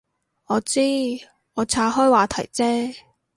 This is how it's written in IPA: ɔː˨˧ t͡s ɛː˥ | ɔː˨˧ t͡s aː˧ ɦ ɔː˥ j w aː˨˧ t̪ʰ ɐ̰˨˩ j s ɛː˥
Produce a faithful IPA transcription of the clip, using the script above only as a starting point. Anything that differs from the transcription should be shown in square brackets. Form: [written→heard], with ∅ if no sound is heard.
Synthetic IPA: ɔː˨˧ t͡s [ɛː˥→iː˥] | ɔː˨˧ [t͡s→t͡sʰ] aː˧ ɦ ɔː˥ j w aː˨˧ t̪ʰ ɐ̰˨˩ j [s→t͡s] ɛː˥